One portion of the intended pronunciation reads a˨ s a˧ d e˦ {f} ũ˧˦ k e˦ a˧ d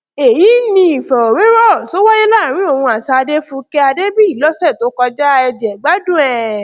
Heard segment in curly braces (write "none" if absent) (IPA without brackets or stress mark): f